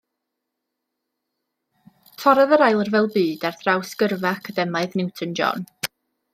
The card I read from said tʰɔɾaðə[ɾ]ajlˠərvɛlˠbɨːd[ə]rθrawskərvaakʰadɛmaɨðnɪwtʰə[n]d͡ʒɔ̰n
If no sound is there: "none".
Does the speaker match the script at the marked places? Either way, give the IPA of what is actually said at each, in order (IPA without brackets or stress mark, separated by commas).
ɾ, a, n